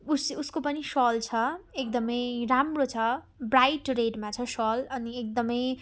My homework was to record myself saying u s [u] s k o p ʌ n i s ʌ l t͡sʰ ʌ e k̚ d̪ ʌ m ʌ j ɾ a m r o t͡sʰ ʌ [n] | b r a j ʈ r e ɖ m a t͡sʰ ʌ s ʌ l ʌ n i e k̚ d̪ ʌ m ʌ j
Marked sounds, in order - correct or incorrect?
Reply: correct, incorrect: none

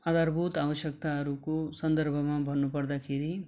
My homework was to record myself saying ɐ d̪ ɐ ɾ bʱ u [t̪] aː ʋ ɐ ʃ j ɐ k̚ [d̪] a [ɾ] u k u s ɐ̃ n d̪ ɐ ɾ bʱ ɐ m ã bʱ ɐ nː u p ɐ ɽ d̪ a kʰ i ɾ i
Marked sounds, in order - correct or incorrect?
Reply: correct, incorrect: t̪, correct

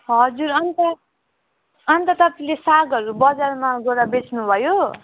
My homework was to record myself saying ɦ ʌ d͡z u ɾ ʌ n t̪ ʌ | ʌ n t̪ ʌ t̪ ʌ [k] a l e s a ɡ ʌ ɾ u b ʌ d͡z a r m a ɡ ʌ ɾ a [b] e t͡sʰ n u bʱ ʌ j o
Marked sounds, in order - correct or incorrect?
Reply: incorrect: p, correct

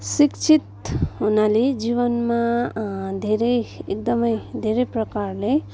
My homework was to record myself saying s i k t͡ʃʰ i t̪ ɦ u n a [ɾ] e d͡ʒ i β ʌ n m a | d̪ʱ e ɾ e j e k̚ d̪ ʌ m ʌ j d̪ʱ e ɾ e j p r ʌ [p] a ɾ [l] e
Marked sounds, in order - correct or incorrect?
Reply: incorrect: l, incorrect: k, correct

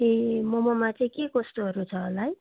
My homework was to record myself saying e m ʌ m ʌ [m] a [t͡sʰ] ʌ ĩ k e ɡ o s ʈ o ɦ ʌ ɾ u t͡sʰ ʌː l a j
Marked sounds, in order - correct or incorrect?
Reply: correct, incorrect: t͡s

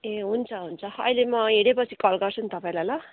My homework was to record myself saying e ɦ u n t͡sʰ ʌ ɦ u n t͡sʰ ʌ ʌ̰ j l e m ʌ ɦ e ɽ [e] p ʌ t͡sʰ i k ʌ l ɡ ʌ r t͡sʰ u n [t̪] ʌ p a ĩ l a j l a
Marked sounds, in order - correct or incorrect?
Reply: correct, correct

